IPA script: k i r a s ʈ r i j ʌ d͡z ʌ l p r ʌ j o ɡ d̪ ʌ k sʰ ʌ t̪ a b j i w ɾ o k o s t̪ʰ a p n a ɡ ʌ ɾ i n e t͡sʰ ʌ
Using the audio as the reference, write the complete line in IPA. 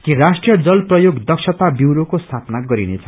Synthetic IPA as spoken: k i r a s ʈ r i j ʌ d͡z ʌ l p r ʌ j o ɡ d̪ ʌ k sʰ ʌ t̪ a b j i w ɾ o k o s t̪ʰ a p n a ɡ ʌ ɾ i n e t͡sʰ ʌ